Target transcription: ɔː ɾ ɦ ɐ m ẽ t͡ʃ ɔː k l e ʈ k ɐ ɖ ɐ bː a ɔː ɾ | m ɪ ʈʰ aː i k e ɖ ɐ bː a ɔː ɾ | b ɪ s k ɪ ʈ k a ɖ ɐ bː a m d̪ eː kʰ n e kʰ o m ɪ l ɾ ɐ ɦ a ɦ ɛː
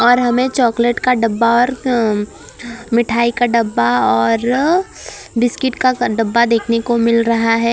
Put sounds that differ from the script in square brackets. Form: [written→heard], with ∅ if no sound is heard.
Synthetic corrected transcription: ɔː ɾ ɦ ɐ m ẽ t͡ʃ ɔː k l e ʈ k [ɐ→a] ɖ ɐ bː a ɔː ɾ | m ɪ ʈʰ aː i k [e→a] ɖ ɐ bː a ɔː ɾ | b ɪ s k ɪ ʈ k a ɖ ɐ bː a [m→∅] d̪ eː kʰ n e [kʰ→k] o m ɪ l ɾ ɐ ɦ a ɦ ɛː